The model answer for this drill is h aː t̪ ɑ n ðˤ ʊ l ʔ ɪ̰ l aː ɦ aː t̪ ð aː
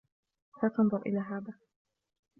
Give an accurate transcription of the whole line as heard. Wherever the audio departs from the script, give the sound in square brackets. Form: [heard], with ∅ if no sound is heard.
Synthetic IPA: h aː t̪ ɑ n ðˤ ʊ [ɾ] ʔ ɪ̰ l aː ɦ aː [∅] ð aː